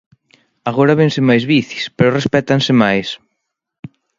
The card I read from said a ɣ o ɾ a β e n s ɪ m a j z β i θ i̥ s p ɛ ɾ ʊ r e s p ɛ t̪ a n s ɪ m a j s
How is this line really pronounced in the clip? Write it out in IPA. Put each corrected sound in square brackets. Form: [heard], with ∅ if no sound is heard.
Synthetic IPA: a ɣ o ɾ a β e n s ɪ m a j z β i θ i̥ s p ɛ ɾ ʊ r e s p ɛ t̪ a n s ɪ m a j s

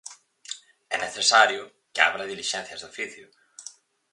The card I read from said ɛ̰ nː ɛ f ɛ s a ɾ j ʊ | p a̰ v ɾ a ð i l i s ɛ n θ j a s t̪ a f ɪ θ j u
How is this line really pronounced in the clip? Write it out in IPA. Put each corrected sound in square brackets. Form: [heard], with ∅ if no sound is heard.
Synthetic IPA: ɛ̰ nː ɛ [θ] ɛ s a ɾ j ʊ | [c] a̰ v ɾ a ð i l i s ɛ n θ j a s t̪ a f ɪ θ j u

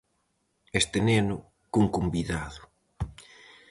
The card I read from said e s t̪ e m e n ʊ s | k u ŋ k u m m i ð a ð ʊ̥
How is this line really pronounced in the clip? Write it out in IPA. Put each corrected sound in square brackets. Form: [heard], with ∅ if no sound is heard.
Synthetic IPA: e s t̪ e [n] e n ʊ [∅] | k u ŋ k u m [b] i ð a ð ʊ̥

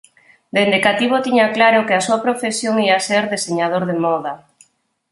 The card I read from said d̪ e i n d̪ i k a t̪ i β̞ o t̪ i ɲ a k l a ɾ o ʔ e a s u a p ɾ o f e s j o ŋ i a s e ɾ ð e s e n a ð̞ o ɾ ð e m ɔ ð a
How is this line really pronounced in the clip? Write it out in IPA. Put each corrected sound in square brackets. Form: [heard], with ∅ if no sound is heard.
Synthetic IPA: d̪ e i n d̪ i k a t̪ i β̞ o t̪ i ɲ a k l a ɾ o [k] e a s u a p ɾ o f e s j o ŋ i a s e ɾ ð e s e [ɲ] a ð̞ o ɾ ð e m ɔ ð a

